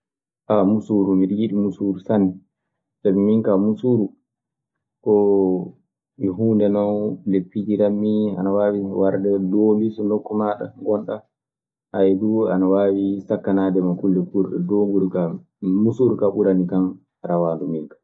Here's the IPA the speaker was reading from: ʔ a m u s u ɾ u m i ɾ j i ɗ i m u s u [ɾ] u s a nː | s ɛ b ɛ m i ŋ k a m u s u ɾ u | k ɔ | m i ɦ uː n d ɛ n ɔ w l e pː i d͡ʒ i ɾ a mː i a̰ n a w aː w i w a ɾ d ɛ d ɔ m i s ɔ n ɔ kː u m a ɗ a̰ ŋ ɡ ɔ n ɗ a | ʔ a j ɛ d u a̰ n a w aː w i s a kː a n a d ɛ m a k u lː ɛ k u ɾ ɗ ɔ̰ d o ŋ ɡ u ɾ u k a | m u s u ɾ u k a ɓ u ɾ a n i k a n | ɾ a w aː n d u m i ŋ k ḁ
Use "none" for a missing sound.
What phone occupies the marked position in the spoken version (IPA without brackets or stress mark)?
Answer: ɾ